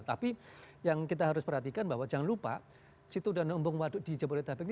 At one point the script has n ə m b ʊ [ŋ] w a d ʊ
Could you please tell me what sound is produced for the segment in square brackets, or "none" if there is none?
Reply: ŋ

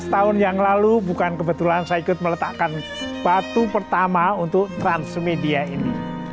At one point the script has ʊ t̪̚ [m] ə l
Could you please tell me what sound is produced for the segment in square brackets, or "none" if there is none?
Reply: m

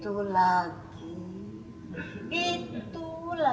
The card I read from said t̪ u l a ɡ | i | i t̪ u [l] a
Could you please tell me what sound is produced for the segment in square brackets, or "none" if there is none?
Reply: l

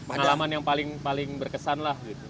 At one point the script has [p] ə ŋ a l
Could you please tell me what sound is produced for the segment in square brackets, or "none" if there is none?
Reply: p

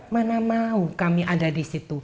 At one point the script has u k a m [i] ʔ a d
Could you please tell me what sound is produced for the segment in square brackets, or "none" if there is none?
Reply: i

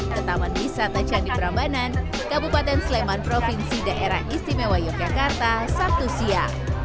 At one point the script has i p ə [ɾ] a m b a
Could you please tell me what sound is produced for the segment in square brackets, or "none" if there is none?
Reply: ɾ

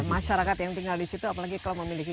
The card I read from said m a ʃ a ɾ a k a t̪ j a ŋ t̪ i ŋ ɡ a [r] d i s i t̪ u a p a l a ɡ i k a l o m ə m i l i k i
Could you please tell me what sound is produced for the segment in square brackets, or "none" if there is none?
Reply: l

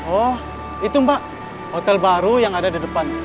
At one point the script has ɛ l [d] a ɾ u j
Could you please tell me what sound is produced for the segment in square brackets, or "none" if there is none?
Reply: b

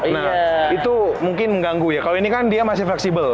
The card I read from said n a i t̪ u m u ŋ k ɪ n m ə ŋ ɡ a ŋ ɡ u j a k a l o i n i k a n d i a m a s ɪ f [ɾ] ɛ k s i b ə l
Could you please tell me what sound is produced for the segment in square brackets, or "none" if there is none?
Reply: l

